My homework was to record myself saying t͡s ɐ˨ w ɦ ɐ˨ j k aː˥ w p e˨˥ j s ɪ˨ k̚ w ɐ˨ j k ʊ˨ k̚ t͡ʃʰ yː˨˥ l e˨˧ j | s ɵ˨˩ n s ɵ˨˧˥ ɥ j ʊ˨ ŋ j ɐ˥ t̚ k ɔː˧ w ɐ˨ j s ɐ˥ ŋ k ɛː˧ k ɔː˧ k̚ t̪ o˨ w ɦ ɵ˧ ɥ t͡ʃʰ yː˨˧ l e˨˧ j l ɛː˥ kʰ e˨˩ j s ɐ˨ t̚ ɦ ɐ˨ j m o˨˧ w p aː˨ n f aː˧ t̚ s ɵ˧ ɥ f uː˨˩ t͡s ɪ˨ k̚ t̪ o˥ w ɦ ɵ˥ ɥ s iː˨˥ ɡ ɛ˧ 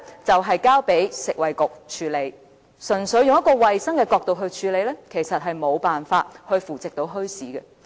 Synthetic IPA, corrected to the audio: t͡s ɐ˨ w ɦ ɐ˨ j k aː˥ w p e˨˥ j s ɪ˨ k̚ w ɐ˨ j k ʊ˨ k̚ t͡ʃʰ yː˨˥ l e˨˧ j | s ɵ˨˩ n s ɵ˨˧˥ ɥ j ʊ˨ ŋ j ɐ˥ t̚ k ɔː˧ w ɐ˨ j s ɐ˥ ŋ k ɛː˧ k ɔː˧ k̚ t̪ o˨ w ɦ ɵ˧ ɥ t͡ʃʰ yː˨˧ l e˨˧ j l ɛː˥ kʰ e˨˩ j s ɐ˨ t̚ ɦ ɐ˨ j m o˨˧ w p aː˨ n f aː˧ t̚ h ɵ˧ ɥ f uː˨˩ t͡s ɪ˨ k̚ t̪ o˨˥ w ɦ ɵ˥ ɥ s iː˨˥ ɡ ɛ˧